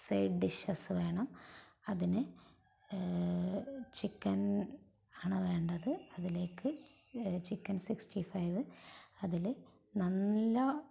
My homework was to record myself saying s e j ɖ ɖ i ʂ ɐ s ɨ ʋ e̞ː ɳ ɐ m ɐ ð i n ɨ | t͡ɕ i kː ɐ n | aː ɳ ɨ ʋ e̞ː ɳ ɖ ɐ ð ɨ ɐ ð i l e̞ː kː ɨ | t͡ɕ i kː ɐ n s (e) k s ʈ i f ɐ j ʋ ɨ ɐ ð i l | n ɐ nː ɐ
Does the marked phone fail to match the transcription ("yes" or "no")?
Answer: yes